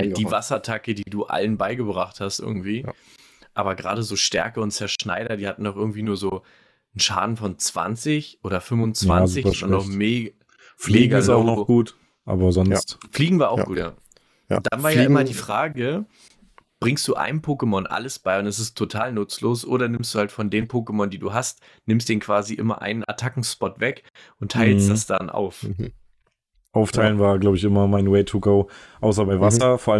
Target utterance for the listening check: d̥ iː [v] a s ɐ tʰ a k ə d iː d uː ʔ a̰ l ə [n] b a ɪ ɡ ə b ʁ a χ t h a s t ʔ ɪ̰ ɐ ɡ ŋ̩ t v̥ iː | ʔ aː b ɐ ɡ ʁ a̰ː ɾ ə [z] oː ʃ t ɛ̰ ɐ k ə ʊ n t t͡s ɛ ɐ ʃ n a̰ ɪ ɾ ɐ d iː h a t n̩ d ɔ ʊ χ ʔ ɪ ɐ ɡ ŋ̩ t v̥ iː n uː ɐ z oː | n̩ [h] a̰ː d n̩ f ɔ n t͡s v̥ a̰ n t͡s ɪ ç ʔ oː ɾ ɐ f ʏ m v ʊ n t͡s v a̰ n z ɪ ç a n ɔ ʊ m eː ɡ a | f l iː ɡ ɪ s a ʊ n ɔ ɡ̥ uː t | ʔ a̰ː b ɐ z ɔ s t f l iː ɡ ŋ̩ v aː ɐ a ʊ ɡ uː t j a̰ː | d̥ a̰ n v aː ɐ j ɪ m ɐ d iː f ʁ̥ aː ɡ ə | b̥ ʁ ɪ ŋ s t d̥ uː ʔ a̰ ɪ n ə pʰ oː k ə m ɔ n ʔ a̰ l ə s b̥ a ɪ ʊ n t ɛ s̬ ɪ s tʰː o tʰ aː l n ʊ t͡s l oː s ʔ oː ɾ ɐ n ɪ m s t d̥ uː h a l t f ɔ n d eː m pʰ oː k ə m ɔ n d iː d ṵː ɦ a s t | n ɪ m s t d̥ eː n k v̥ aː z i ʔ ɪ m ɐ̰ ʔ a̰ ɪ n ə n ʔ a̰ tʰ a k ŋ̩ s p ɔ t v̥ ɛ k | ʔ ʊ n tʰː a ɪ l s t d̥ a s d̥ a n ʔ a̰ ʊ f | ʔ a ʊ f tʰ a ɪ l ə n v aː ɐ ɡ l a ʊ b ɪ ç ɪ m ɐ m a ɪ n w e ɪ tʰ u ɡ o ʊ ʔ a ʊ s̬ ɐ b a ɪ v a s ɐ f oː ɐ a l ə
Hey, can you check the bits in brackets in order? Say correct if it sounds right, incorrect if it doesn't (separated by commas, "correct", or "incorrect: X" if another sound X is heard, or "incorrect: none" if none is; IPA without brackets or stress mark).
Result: correct, correct, correct, incorrect: ʃ